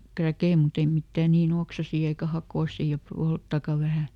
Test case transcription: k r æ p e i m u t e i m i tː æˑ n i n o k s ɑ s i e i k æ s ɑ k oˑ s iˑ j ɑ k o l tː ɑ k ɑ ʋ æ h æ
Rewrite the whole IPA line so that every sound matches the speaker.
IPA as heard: k r æ k e i m u t e i m i tː æˑ n iː n o k s ɑ s iː e i k æ h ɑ k oˑ s iˑ j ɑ p o l tː ɑ k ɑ ʋ æ h æ